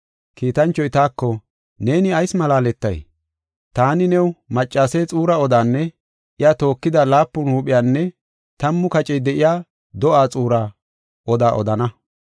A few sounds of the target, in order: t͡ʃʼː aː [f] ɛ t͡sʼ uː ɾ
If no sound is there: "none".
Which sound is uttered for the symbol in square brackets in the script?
s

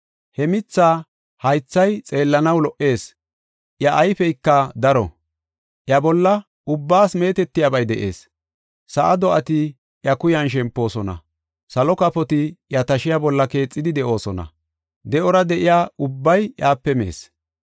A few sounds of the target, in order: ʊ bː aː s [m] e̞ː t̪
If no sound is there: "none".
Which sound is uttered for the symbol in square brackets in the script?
m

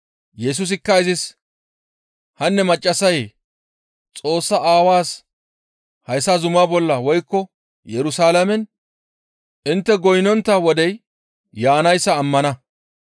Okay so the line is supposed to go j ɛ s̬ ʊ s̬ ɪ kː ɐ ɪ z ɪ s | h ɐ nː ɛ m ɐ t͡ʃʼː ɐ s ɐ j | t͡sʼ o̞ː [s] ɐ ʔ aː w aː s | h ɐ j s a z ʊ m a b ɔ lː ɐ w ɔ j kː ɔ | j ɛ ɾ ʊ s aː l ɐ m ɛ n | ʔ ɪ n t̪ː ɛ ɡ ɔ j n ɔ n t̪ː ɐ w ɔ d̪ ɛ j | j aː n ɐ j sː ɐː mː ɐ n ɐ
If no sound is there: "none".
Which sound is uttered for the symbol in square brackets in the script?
sː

